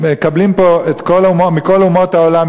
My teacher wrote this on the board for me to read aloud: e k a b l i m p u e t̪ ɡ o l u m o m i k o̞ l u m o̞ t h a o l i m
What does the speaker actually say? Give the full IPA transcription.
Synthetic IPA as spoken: e k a b l i m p o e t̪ k o l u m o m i k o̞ l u m o̞ t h a o l a m